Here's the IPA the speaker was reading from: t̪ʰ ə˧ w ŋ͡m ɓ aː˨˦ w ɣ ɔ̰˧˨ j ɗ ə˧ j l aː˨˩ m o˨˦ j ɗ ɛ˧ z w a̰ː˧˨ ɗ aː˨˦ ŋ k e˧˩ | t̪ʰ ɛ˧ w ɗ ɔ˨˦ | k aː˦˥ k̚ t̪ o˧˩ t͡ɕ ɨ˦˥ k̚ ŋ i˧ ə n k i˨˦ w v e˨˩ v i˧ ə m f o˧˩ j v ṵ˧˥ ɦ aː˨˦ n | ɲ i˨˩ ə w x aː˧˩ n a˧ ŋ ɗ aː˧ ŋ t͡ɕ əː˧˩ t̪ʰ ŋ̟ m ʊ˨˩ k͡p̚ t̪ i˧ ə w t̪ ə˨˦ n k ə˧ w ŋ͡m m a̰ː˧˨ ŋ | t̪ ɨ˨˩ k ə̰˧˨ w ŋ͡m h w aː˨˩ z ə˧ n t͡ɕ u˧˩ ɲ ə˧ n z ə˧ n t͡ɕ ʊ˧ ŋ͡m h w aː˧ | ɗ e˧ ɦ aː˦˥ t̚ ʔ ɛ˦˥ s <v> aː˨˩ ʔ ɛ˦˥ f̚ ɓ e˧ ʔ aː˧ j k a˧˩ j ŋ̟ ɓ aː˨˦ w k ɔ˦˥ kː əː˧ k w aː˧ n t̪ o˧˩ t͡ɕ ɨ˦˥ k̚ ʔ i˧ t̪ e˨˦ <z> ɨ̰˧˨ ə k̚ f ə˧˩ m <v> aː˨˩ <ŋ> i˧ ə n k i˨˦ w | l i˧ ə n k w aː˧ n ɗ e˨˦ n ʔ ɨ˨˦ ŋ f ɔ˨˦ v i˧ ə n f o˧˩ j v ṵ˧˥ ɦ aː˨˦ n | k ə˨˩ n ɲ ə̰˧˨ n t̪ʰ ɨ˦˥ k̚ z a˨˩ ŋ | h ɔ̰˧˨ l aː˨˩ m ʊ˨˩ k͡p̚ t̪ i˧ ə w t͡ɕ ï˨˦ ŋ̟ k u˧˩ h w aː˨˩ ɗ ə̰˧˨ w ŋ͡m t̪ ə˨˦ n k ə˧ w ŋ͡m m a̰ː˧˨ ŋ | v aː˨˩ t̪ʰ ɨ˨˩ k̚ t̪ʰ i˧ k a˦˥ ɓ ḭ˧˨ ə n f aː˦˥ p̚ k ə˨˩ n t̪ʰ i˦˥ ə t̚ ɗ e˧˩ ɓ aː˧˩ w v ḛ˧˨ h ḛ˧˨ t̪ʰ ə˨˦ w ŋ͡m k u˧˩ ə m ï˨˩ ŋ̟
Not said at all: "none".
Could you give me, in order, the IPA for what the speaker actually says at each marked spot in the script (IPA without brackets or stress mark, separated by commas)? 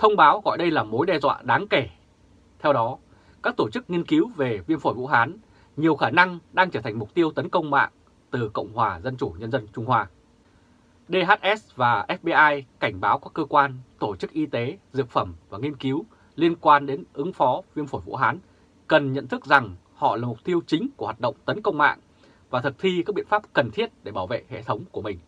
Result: v, z, v, ŋ